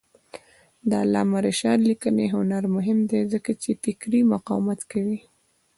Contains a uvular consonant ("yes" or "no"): yes